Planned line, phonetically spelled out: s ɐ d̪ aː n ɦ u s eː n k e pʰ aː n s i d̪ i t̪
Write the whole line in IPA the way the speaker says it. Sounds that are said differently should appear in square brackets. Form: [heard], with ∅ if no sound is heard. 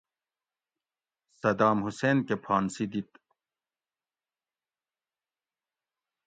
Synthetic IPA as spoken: s ɐ d̪ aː [m] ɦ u s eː n k e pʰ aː n s i d̪ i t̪